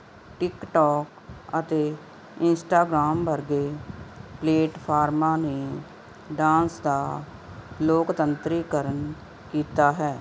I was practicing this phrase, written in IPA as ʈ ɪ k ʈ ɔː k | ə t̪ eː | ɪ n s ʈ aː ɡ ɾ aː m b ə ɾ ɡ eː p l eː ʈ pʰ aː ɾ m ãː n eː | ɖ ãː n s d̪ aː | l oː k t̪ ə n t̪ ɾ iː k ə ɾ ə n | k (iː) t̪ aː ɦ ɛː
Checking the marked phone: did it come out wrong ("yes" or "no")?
no